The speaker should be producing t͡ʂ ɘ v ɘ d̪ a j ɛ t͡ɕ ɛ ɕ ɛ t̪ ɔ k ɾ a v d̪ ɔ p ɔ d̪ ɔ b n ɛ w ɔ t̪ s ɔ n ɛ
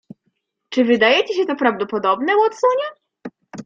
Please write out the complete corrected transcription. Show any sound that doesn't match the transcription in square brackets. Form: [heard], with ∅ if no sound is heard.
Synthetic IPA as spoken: t͡ʂ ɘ v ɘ d̪ a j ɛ t͡ɕ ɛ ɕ ɛ t̪ ɔ [p] ɾ a v d̪ ɔ p ɔ d̪ ɔ b n ɛ w ɔ t̪ s ɔ [ɲ] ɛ